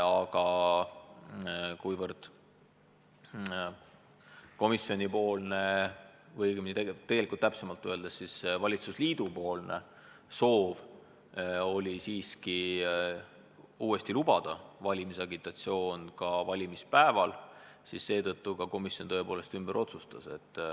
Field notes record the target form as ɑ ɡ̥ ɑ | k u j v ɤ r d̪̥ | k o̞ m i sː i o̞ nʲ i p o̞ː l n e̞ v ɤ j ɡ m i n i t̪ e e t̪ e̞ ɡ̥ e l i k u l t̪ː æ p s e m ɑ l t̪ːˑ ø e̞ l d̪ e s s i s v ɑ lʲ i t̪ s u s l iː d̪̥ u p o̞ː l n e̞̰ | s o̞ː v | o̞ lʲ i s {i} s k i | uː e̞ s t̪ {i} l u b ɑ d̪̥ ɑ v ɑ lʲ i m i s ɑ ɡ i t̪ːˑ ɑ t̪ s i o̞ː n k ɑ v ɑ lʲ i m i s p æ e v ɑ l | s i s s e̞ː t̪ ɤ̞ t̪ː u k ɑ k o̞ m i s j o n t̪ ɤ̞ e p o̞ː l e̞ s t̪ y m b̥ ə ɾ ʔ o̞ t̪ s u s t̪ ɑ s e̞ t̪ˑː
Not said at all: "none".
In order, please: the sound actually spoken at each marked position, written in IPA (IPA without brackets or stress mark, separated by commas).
iː, i